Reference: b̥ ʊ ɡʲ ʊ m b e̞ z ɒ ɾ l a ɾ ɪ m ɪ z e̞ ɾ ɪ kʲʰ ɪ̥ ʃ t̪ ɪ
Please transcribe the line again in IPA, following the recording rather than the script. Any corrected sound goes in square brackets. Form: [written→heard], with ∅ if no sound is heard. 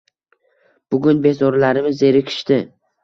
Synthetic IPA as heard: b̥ ʊ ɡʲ ʊ [m→n] b e̞ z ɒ ɾ l a ɾ ɪ m ɪ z e̞ ɾ ɪ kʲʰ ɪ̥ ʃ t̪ ɪ